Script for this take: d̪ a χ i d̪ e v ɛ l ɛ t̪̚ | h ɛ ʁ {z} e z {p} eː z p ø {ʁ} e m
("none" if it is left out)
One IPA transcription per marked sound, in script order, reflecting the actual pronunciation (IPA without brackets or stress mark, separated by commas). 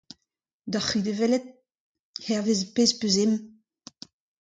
v, p, z